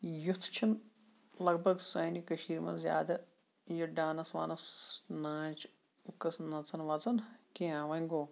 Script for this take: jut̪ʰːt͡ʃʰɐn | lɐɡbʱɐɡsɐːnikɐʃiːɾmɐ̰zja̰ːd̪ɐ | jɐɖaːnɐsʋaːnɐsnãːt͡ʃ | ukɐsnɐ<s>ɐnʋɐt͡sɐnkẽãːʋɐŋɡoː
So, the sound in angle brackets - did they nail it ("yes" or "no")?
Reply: no